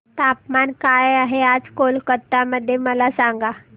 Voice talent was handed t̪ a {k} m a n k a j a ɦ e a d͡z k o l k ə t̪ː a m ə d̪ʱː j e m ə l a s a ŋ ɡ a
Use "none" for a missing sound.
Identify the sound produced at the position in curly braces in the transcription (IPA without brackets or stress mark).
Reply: p